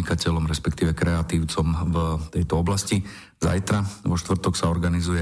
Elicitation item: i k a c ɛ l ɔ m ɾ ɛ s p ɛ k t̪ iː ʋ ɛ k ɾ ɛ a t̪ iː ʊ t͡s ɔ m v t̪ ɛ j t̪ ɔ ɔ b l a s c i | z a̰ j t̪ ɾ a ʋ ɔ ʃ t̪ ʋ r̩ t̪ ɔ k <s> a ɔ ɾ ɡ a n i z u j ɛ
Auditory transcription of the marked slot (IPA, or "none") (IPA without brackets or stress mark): s